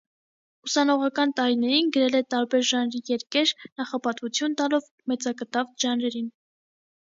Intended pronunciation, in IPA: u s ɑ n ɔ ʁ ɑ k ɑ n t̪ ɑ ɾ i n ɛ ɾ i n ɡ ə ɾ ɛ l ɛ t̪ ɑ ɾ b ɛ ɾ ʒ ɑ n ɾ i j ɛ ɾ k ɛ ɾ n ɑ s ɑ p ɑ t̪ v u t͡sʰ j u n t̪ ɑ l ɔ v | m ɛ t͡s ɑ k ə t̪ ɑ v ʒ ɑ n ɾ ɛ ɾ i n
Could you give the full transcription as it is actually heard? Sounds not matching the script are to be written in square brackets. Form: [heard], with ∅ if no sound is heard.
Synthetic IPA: u s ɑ n ɔ ʁ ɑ k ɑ n t̪ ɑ ɾ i n ɛ ɾ i n ɡ ə ɾ ɛ l ɛ t̪ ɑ ɾ b ɛ ɾ ʒ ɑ n ɾ i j ɛ ɾ k ɛ ɾ n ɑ [χ] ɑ p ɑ t̪ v u t͡sʰ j u n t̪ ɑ l ɔ v | m ɛ t͡s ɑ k ə t̪ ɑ v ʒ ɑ n ɾ ɛ ɾ i n

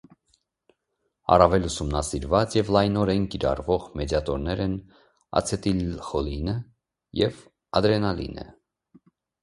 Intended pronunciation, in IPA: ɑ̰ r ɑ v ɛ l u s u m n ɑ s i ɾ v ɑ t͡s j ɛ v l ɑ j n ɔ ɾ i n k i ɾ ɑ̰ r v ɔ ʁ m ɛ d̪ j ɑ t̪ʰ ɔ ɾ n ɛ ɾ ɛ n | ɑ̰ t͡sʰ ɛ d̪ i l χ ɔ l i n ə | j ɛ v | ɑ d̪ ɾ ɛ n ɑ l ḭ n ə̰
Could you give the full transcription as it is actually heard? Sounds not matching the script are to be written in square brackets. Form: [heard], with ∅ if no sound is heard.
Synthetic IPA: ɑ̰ r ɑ v ɛ l u s u m n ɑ s i ɾ v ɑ t͡s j ɛ v l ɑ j n ɔ ɾ [ɛ] n k i ɾ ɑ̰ r v ɔ ʁ m ɛ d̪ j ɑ [t̪] ɔ ɾ n ɛ ɾ ɛ n | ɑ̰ t͡sʰ ɛ [t̪] i l χ ɔ l i n ə | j ɛ v | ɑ d̪ ɾ ɛ n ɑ l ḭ n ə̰

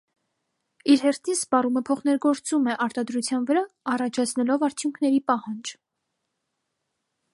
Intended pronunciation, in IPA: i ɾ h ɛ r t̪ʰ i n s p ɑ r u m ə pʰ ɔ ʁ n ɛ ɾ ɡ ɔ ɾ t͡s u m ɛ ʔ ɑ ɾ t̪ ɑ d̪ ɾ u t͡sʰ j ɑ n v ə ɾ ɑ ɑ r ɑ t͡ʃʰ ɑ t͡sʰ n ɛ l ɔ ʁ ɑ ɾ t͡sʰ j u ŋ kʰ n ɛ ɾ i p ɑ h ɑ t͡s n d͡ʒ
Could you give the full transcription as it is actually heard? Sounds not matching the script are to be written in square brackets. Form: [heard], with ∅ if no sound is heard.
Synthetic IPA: i ɾ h ɛ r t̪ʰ i n s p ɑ r u m ə pʰ ɔ [χ] n ɛ ɾ ɡ ɔ ɾ t͡s u m ɛ ʔ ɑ ɾ t̪ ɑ d̪ ɾ u t͡sʰ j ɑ n v ə ɾ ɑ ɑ r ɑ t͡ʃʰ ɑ t͡sʰ n ɛ l ɔ [v] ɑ ɾ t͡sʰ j u ŋ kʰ n ɛ ɾ i p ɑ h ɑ [∅] n d͡ʒ

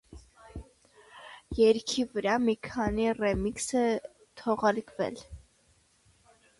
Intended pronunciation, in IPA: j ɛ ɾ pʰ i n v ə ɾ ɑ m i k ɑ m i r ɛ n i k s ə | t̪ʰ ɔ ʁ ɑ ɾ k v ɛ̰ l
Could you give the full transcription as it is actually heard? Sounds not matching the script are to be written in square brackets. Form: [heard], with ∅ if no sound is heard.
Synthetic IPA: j ɛ ɾ [kʰ] i [∅] v ə ɾ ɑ m i [kʰ] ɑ [n] i r ɛ [m] i k s ə | t̪ʰ ɔ ʁ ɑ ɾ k v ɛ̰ l

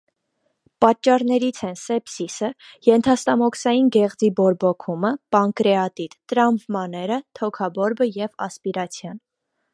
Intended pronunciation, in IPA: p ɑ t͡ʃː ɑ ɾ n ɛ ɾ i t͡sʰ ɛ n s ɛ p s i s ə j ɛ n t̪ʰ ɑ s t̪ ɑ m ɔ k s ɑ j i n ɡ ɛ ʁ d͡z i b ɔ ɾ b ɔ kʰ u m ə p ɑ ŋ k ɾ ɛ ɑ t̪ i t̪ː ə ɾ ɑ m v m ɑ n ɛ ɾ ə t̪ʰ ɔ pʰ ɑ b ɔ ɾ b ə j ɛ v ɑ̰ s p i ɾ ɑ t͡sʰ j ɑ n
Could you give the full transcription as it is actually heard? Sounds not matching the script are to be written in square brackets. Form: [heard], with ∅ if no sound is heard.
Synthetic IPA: p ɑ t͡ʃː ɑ ɾ n ɛ ɾ i t͡sʰ ɛ n s ɛ p s i s ə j ɛ n t̪ʰ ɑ s t̪ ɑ m ɔ k s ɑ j i n ɡ ɛ ʁ d͡z i b ɔ ɾ b ɔ kʰ u m ə p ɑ ŋ k ɾ ɛ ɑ t̪ i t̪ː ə ɾ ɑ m v m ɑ n ɛ ɾ ə t̪ʰ ɔ [kʰ] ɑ b ɔ ɾ b ə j ɛ v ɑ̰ s p i ɾ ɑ t͡sʰ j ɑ n

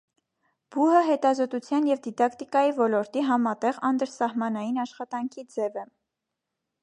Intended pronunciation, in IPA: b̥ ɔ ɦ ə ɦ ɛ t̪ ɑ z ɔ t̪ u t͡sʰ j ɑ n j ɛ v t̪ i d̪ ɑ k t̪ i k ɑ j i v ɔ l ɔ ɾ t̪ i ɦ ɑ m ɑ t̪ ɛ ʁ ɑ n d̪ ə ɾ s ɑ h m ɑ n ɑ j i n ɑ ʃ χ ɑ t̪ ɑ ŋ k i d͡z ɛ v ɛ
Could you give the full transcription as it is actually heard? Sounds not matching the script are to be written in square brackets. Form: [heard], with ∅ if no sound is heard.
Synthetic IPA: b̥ [u] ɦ ə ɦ ɛ t̪ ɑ z ɔ t̪ u t͡sʰ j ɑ n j ɛ v [d̪] i d̪ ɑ k t̪ i k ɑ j i v ɔ l ɔ ɾ t̪ i ɦ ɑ m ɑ t̪ ɛ ʁ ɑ n d̪ ə ɾ s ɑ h m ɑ n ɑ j i n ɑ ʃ χ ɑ t̪ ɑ ŋ [kʰ] i d͡z ɛ v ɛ

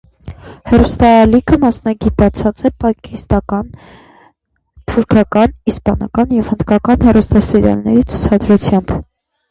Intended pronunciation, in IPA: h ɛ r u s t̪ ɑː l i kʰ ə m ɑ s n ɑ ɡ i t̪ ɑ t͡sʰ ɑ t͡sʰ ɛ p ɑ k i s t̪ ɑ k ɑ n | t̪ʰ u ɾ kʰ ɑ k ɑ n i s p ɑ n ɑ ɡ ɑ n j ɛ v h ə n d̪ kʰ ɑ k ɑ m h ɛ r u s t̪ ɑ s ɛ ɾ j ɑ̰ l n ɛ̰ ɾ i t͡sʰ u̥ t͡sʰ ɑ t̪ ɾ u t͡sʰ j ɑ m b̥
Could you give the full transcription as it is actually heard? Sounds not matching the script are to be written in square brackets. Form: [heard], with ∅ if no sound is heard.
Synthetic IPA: h ɛ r u s t̪ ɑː l i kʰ ə m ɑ s n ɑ ɡ i t̪ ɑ t͡sʰ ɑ [t͡s] ɛ p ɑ k i s t̪ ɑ k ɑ n | t̪ʰ u ɾ kʰ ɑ k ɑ n i s p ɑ n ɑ [k] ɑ n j ɛ v h ə n d̪ [k] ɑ k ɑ [n] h ɛ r u s t̪ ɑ s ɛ ɾ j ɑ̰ l n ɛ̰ ɾ i t͡sʰ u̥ t͡sʰ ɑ [d̪] ɾ u t͡sʰ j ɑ m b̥

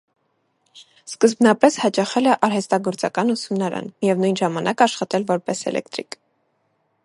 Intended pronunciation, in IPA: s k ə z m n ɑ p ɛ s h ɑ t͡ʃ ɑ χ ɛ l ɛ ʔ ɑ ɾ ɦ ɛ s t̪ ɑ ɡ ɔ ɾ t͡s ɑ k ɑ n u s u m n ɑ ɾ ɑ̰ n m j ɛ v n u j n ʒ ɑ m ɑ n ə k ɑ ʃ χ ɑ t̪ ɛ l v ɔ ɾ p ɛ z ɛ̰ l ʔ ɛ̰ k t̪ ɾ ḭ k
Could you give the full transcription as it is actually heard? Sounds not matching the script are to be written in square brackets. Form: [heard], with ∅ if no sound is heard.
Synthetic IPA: s k ə z [b] n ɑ p ɛ s h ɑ t͡ʃ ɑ χ ɛ l ɛ ʔ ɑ ɾ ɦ ɛ s t̪ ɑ ɡ ɔ ɾ t͡s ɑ k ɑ n u s u m n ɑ ɾ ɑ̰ n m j ɛ v n u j n ʒ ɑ m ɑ n [ɑ] k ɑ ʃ χ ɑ t̪ ɛ l v ɔ ɾ p ɛ [s] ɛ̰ l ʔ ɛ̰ k t̪ ɾ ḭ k

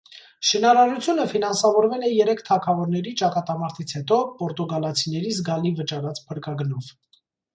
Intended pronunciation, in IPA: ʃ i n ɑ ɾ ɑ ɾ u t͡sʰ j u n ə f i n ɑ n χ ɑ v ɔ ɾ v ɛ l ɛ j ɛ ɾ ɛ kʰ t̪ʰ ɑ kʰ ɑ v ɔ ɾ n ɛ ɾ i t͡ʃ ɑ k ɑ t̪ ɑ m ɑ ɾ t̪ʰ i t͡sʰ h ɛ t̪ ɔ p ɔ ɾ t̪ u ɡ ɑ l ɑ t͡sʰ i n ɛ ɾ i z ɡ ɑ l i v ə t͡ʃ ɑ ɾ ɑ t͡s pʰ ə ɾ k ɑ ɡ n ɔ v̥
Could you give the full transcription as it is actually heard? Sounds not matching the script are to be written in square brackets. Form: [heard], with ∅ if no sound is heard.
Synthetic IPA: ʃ i n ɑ ɾ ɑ ɾ u t͡sʰ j u n ə f i n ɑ n [s] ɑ v ɔ ɾ v ɛ l ɛ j ɛ ɾ ɛ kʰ t̪ʰ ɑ kʰ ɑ v ɔ ɾ n ɛ ɾ i t͡ʃ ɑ k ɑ t̪ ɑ m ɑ ɾ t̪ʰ i t͡sʰ h ɛ t̪ ɔ p ɔ ɾ t̪ u ɡ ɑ l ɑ t͡sʰ i n ɛ ɾ i z ɡ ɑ l i v ə t͡ʃ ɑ ɾ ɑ t͡s pʰ ə ɾ k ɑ ɡ n ɔ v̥

